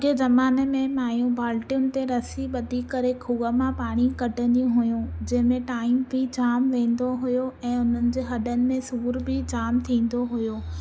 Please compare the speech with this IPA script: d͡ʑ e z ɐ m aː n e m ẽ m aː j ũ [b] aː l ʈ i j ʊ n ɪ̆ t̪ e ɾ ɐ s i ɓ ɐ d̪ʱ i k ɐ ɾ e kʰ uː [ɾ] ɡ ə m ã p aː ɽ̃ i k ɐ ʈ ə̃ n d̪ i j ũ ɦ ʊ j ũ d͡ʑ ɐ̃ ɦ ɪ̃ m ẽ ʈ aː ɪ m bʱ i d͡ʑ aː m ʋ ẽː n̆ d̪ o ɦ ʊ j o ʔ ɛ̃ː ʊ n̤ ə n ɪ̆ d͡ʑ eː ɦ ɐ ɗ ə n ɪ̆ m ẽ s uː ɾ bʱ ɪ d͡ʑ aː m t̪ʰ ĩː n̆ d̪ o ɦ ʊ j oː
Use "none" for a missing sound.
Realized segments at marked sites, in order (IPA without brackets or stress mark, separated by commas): b, none